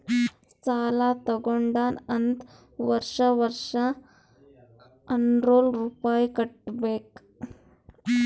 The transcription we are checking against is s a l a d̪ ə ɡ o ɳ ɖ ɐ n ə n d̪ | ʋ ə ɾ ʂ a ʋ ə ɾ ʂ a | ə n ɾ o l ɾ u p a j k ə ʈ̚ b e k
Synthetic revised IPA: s a l a t̪ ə ɡ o ɳ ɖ a n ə n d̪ | ʋ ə ɾ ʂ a ʋ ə ɾ ʂ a | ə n ɾ o l ɾ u p a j k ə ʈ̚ b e k